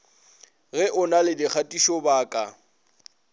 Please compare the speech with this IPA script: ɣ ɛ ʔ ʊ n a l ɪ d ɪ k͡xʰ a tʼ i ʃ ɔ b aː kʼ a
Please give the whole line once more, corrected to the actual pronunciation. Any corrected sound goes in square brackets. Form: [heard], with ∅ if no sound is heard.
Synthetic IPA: ɣ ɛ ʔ ʊ n a l ɪ d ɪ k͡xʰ a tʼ i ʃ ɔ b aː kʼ a